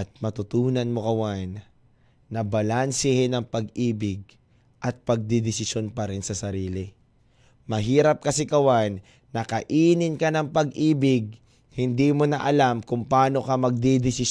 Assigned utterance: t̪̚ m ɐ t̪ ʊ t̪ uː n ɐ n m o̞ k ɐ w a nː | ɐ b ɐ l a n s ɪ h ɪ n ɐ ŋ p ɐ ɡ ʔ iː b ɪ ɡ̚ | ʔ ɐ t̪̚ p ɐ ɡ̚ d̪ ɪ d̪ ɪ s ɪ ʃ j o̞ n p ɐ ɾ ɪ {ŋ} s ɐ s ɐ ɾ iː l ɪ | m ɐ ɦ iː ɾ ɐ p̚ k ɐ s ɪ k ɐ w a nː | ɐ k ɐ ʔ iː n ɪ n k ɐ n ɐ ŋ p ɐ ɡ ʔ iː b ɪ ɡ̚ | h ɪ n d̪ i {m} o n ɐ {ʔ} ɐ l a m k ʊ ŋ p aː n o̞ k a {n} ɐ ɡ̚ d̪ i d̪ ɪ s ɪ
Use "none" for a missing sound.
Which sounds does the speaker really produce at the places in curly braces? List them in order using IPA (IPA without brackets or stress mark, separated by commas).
n, m, ʔ, m